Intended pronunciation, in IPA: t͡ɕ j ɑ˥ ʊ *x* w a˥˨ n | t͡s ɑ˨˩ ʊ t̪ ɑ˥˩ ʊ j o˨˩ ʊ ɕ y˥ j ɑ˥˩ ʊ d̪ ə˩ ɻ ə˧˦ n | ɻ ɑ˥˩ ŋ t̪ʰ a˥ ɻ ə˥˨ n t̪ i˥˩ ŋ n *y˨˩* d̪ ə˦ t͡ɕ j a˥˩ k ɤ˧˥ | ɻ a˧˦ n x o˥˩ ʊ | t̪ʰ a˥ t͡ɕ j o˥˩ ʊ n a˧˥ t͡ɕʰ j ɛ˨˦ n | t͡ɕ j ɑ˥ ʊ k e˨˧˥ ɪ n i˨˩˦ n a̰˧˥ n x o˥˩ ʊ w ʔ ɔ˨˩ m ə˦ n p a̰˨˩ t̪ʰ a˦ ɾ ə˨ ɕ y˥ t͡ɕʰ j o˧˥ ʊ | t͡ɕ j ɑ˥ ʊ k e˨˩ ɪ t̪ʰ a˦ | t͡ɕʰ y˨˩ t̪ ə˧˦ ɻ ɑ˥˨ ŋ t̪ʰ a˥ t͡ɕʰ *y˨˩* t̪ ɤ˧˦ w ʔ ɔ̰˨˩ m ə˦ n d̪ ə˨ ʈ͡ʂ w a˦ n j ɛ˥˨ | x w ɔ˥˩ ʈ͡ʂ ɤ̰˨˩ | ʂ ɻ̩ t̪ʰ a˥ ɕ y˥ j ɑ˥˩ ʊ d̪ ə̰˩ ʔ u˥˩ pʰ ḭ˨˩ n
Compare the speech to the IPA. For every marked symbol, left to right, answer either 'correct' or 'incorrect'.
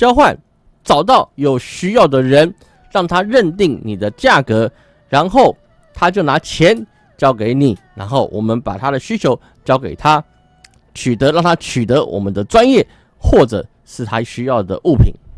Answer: correct, incorrect: i˨˩, correct

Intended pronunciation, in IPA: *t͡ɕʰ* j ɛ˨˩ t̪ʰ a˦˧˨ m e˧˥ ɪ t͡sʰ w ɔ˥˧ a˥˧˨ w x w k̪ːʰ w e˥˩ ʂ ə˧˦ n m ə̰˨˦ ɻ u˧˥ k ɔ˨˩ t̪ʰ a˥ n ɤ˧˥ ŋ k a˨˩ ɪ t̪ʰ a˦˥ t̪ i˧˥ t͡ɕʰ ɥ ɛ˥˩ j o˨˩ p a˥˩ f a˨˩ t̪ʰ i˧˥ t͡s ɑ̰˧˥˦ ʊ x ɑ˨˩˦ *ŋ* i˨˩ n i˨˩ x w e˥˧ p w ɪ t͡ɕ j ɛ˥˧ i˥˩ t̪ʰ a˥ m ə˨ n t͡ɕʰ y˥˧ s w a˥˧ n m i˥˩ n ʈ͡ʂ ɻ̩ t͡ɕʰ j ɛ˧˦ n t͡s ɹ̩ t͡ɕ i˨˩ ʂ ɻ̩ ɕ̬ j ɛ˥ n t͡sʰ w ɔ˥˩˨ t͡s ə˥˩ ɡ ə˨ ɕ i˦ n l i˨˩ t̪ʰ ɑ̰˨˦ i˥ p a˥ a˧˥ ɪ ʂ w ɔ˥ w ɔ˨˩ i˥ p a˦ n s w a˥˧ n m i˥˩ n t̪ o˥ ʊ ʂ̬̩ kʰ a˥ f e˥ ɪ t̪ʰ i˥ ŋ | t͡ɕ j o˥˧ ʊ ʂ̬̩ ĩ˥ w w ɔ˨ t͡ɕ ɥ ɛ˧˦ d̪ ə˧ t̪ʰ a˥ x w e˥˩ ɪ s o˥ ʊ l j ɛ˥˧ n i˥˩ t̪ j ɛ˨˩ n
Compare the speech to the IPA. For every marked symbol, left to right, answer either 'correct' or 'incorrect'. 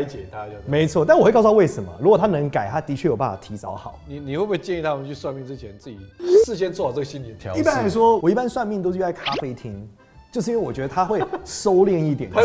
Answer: incorrect: t͡ɕ, incorrect: n

